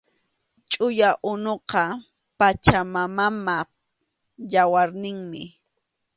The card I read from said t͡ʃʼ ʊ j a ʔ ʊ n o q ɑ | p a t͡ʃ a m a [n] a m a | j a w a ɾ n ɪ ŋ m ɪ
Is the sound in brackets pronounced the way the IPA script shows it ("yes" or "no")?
no